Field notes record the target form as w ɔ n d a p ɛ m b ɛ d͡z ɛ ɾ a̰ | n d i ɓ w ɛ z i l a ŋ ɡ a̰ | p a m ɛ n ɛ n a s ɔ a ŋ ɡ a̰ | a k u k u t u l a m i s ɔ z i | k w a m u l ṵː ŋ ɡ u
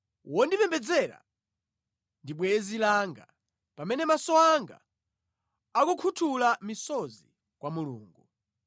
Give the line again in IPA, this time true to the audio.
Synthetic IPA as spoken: w ɔ n d i p ɛ m b ɛ d͡z ɛ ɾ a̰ | n d i ɓ w ɛ z i l a ŋ ɡ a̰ | p a m ɛ n ɛ m a s ɔ a ŋ ɡ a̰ | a k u kʰ u tʰ u l a m i s ɔ z i | k w a m u l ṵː ŋ ɡ u